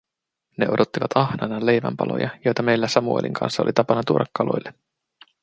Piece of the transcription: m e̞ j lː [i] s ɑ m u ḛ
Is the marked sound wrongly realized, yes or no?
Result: yes